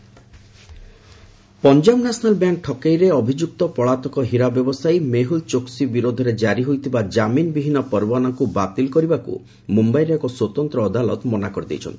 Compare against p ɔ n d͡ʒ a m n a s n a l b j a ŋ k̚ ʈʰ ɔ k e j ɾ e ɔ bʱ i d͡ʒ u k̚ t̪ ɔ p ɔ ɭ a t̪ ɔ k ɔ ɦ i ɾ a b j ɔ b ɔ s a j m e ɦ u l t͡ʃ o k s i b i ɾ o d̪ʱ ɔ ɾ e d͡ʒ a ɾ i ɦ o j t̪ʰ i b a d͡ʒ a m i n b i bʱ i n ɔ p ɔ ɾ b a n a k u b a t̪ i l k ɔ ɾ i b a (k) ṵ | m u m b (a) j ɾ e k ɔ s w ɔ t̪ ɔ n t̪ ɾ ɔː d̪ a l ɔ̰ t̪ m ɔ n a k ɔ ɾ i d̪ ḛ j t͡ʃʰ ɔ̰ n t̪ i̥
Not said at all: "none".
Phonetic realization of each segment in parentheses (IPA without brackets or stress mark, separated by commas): k, a